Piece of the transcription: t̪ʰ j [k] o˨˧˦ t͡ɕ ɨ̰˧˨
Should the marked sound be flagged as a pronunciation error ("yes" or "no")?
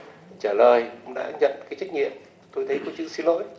no